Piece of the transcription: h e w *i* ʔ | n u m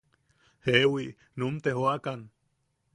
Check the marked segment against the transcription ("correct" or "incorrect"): correct